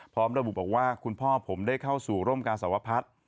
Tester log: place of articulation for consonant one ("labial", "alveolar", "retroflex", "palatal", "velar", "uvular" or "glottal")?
labial